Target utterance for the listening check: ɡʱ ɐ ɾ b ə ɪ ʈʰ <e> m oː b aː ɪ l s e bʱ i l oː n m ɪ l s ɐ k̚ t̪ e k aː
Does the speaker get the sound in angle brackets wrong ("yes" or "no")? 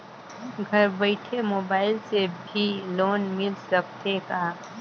no